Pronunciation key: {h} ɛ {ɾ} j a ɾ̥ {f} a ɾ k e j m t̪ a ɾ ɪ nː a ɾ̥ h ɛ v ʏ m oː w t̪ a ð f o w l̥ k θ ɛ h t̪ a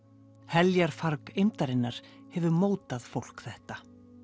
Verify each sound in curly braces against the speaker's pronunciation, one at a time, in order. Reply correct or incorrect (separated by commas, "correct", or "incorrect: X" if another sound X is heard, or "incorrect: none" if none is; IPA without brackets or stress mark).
correct, incorrect: l, correct